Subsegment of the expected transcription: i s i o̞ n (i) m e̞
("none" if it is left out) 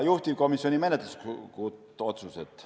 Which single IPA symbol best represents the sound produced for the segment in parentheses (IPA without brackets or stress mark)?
i